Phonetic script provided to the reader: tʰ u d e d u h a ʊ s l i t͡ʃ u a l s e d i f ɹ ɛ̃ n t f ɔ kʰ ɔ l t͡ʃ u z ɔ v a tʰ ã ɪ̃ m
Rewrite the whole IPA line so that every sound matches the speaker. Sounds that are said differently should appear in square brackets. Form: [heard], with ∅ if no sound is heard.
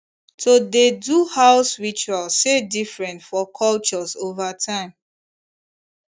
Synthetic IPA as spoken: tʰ [o] d e d u h a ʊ s [ɹ] i t͡ʃ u a l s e d i f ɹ ɛ̃ n t f ɔ kʰ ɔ l t͡ʃ [ɔ] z [o] v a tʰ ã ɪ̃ m

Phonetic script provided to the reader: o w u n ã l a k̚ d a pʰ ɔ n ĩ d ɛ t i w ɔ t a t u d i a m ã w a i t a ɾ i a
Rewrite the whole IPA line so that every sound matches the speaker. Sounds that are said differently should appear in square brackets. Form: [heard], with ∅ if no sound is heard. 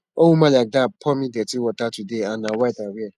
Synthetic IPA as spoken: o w u [m] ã l a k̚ d a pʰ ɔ [m] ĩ d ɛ t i w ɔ t a t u d [e] a [n] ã w a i t a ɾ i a

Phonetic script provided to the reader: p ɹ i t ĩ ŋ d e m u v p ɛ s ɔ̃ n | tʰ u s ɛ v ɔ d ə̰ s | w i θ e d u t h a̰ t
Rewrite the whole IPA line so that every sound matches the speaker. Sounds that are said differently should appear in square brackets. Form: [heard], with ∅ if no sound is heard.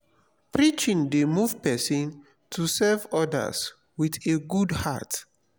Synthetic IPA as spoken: p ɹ i [t͡ʃ] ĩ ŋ d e m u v p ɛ s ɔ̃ n | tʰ u s ɛ v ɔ d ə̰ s | w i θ e [ɡ] u [d] h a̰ t

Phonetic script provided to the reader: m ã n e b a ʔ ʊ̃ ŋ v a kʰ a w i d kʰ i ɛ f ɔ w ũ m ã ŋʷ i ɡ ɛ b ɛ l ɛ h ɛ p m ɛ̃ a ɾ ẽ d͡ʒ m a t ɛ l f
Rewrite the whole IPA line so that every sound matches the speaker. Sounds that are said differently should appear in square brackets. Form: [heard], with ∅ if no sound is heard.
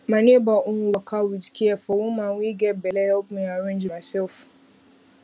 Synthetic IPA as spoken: m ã n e b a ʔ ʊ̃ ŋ [w] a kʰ a w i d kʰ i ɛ f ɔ w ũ m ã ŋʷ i ɡ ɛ b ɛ l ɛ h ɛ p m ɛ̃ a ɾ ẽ d͡ʒ m a [s] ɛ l f

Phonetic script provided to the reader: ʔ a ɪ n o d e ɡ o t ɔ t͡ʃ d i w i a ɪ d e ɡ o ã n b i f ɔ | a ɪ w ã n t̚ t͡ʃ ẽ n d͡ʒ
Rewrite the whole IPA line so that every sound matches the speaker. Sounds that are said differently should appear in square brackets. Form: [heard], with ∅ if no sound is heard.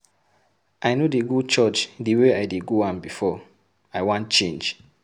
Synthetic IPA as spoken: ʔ a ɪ n o d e ɡ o [t͡ʃ] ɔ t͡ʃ d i w [e] a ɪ d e ɡ o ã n b i f ɔ | a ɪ w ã n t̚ t͡ʃ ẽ n d͡ʒ

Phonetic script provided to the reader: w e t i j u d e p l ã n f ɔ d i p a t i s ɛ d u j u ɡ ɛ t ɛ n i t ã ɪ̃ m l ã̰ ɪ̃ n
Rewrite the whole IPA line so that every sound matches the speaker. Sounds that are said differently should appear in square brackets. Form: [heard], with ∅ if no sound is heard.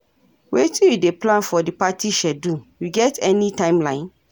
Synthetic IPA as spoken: w e t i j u d e p l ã n f ɔ d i p a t i [ʃ] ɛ d u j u ɡ ɛ t ɛ n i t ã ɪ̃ m l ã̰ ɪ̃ n

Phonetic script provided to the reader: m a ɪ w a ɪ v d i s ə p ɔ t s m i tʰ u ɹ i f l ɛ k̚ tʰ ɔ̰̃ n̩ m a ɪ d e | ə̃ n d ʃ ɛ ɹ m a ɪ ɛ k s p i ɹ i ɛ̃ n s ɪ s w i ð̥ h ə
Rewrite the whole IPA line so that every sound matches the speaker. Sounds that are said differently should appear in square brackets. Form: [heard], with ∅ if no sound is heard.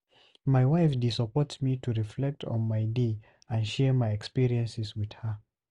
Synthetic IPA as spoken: m a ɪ w a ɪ [f] d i s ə p ɔ t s m i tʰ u ɹ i f l ɛ k̚ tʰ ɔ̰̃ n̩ m a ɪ d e | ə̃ n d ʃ ɛ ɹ m a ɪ ɛ k s p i ɹ i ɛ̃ n s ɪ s w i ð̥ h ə

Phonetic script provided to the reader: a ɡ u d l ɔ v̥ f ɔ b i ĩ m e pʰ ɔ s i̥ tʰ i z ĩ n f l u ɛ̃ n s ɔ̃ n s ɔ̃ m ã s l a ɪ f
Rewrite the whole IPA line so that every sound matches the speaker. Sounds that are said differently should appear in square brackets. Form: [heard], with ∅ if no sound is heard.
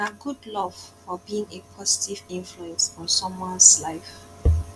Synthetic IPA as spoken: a ɡ u d l ɔ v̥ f ɔ b i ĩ [ŋ] e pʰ ɔ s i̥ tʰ i [v] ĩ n f l u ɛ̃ n s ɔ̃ n s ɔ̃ m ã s l a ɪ f

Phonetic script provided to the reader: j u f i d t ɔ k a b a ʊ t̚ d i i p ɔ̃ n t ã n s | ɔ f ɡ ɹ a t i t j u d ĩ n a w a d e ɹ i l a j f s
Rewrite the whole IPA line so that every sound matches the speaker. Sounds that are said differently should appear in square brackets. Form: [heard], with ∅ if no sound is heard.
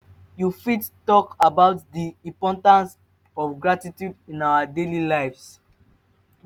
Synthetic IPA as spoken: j u f i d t ɔ k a b a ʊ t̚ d i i p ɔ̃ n t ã n s | ɔ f ɡ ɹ a t i t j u d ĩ n a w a d e [l] i l a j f s

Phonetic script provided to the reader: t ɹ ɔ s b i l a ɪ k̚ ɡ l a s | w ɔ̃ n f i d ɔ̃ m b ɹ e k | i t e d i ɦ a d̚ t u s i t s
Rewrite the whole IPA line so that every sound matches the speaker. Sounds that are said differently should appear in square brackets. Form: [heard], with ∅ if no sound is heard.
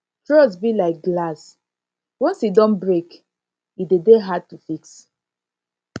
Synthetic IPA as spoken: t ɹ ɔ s b i l a ɪ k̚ ɡ l a s | w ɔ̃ n [s] i d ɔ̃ [n] b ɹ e k | i [d] e d [e] ɦ a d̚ t u [f] i [k] s

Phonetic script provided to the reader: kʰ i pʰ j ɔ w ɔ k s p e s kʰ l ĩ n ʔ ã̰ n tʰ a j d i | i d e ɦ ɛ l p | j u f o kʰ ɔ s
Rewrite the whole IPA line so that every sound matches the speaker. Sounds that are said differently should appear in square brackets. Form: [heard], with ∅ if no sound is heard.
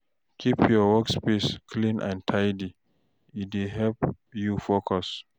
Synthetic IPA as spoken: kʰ i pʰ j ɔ w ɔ k s p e s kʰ l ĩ n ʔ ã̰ n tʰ a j d i | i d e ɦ ɛ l p | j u f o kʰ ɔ s

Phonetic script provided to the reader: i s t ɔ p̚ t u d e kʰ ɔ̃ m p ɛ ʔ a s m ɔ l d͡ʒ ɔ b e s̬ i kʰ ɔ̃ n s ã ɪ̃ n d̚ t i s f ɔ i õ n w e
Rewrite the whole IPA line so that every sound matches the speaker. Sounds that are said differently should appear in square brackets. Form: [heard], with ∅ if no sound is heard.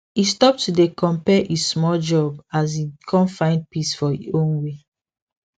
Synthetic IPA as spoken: i s t ɔ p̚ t u d e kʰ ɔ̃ m p ɛ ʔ [i] s m ɔ l d͡ʒ ɔ b [a] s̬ i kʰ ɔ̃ n [f] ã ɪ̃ n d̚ [p] i s f ɔ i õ n w e

